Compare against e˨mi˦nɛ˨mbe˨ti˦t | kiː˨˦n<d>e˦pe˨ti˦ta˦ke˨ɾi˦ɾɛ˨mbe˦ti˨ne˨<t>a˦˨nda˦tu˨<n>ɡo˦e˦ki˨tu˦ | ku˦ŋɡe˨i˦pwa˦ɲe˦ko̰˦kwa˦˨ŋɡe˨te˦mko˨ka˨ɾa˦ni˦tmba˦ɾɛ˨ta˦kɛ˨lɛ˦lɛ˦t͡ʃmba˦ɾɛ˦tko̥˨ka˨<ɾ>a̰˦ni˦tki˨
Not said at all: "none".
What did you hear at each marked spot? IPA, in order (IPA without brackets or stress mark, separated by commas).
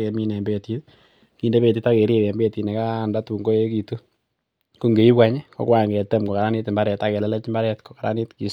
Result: d, k, ŋ, ɾ